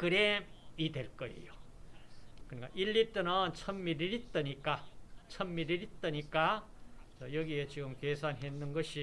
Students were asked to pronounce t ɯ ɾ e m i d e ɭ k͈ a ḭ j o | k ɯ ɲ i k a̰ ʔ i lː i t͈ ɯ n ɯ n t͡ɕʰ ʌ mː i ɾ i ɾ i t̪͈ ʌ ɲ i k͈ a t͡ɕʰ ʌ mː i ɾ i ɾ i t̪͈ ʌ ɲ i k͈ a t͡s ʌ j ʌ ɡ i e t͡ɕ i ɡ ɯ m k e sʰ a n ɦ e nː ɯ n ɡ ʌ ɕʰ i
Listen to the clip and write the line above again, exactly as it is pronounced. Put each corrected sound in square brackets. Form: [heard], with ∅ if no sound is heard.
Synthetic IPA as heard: [k] ɯ ɾ e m i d e ɭ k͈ [ʌ] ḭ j o | k ɯ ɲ i k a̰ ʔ i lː i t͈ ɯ n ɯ n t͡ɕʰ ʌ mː i ɾ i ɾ i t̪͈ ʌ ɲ i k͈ a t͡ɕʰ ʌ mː i ɾ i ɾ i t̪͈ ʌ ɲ i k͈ a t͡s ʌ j ʌ ɡ i e t͡ɕ i ɡ ɯ m k e sʰ a n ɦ e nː ɯ n ɡ ʌ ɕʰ i